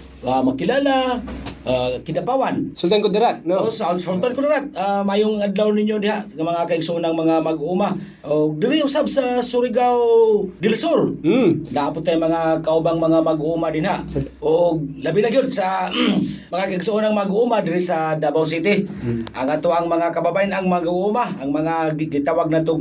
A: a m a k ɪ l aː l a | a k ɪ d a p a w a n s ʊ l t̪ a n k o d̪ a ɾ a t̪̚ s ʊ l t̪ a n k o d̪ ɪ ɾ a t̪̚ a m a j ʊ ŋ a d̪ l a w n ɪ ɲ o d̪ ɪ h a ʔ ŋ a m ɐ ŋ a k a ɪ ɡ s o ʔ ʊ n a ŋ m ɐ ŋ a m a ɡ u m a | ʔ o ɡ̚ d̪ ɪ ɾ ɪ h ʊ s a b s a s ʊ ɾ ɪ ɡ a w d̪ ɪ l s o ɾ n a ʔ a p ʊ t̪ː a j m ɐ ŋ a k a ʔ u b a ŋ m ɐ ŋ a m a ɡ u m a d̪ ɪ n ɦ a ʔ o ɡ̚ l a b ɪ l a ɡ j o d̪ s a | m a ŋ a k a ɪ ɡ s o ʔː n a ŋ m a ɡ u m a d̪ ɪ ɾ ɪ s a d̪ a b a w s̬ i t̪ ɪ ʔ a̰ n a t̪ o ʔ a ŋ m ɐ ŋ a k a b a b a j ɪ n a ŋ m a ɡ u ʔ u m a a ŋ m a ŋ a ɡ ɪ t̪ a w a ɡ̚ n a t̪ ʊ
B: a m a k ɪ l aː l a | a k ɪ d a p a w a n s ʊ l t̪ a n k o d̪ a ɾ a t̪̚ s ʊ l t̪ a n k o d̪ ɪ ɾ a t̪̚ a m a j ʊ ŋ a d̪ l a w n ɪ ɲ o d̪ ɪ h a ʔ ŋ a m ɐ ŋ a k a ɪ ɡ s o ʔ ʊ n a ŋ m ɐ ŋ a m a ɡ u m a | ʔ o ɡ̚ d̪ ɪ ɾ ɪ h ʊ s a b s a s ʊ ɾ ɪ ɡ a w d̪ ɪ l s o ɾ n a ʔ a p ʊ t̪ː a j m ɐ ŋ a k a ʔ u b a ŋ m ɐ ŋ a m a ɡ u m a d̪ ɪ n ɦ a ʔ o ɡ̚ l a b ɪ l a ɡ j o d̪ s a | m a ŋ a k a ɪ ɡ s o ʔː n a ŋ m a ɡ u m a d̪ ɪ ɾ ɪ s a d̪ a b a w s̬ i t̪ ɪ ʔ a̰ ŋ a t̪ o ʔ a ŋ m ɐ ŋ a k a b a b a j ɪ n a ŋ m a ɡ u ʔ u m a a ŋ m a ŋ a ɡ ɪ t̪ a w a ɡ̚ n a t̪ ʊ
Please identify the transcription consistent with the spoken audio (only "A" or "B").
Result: B